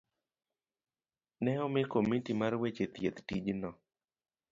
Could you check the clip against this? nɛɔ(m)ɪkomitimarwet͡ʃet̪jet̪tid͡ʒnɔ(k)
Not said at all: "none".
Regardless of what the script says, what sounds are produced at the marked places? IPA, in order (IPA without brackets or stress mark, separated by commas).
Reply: m, none